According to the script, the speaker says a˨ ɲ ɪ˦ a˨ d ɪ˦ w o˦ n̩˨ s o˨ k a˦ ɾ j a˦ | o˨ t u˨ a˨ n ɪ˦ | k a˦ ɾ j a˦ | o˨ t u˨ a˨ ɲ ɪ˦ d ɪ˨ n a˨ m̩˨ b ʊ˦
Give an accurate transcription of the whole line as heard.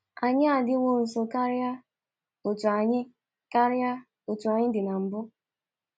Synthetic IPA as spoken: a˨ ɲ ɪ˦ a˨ d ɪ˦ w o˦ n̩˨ s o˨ k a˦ ɾ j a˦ | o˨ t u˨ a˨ ɲ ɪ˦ | k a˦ ɾ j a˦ | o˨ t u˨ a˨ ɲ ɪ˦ d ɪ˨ n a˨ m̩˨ b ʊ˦